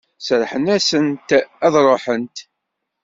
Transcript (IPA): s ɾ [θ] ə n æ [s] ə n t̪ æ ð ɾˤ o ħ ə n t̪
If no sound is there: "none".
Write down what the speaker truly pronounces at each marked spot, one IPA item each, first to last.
ħ, s

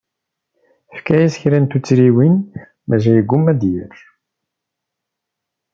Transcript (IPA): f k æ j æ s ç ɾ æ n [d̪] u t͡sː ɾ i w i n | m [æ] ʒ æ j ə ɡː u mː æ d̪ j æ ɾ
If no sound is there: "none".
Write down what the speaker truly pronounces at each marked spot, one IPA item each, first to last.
t̪, æ

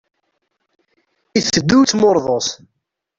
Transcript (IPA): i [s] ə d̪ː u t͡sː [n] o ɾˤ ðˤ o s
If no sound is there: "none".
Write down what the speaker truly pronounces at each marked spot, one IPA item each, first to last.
θ, m

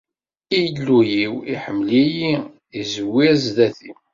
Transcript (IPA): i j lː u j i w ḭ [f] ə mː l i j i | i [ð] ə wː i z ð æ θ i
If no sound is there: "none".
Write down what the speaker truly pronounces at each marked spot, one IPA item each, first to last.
ħ, z

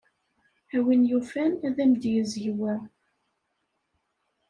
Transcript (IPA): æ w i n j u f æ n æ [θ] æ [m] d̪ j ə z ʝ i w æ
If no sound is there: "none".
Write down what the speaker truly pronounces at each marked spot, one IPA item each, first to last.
ð, m

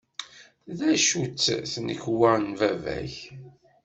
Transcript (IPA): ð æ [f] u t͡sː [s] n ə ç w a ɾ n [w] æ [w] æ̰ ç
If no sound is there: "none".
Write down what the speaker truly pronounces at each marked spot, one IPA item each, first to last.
ʃ, θ, v, v

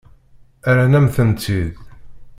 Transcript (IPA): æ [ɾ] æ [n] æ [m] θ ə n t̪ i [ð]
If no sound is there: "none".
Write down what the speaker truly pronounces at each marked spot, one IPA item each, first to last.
ɾ, n, m, ð

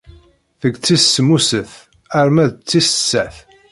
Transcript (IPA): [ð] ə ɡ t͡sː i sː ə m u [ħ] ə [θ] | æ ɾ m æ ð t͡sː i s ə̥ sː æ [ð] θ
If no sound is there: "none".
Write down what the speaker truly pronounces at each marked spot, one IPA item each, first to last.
θ, s, θ, none

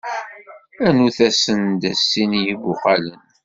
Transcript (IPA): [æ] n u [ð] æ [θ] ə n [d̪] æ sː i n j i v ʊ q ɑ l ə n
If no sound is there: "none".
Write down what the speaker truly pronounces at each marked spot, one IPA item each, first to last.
æ, θ, s, d̪

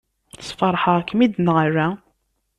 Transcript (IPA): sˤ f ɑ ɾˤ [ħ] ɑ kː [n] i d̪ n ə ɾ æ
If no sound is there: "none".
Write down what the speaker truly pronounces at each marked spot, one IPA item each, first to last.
ħ, m

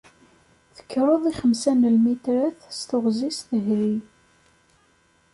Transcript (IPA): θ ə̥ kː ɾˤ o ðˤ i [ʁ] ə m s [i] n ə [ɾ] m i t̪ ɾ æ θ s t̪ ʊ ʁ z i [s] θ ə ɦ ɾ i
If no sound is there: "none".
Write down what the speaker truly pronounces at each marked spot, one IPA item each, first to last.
χ, æ, l, s

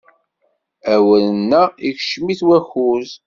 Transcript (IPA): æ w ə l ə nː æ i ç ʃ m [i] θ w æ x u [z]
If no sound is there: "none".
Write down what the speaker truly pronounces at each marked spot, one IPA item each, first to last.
i, z

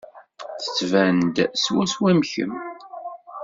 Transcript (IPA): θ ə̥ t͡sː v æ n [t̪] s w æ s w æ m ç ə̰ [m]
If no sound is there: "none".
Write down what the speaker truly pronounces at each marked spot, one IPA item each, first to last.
d̪, m

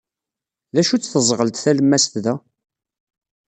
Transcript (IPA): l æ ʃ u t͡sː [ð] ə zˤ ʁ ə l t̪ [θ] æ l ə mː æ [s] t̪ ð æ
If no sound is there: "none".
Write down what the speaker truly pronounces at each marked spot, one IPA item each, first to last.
θ, θ, s

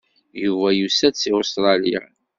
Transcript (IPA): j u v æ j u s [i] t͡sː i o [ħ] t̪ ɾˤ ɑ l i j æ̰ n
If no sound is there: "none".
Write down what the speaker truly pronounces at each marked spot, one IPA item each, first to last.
æ, s

